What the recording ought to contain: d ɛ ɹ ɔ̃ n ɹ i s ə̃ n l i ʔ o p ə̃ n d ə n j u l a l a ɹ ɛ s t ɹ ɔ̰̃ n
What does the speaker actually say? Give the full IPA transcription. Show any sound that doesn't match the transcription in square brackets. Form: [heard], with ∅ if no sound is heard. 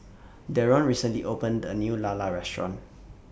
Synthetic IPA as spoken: d ɛ ɹ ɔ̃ n ɹ i s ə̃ n l i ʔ o p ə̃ n d ə n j u l a l a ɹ ɛ s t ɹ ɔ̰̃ n

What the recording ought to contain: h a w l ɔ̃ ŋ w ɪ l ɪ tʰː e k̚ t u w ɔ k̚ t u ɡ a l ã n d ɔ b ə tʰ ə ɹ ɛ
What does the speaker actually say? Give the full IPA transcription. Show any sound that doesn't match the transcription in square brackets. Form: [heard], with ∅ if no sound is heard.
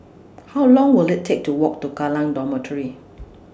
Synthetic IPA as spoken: h a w l ɔ̃ ŋ w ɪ l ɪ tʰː e k̚ t u w ɔ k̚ t u ɡ a l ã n d ɔ [m] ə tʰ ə ɹ [i]

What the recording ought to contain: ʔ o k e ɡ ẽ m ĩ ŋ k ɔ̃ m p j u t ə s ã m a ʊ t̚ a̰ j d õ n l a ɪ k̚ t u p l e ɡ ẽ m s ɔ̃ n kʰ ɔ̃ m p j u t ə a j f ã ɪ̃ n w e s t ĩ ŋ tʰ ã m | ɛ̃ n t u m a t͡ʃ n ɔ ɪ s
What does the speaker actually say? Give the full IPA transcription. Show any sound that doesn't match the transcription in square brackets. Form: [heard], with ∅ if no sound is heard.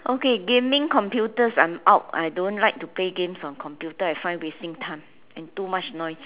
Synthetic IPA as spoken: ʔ o k e ɡ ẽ m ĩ ŋ k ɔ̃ m p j u t ə s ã m a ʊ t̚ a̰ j d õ n l a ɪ k̚ t u p l e ɡ ẽ m s ɔ̃ n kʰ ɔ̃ m p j u t ə a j f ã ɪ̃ n w e s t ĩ ŋ tʰ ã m | ɛ̃ n t u m a t͡ʃ n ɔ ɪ s

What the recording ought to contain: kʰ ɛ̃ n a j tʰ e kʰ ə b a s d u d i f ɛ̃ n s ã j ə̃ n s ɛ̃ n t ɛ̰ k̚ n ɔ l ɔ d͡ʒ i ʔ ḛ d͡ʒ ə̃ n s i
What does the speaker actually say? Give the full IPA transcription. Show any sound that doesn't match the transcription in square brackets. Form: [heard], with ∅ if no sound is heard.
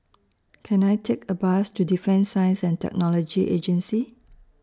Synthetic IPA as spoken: kʰ ɛ̃ n a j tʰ e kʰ ə b a s [t] u d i f ɛ̃ n s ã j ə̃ n s ɛ̃ n t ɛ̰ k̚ n ɔ l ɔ d͡ʒ i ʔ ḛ d͡ʒ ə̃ n s i

